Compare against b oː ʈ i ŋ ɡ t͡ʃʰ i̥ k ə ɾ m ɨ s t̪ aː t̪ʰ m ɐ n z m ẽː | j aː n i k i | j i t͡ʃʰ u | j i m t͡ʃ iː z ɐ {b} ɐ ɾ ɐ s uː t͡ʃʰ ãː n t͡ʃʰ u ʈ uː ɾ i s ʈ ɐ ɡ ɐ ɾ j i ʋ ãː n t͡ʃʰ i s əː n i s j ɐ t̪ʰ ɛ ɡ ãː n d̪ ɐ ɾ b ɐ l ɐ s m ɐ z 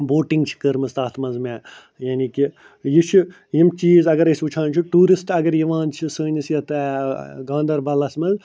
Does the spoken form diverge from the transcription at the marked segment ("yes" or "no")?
yes